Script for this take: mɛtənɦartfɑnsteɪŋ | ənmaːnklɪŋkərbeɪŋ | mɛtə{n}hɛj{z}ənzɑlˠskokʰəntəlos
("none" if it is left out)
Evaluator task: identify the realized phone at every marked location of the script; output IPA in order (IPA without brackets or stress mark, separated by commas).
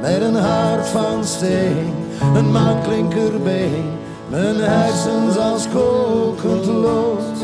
n, s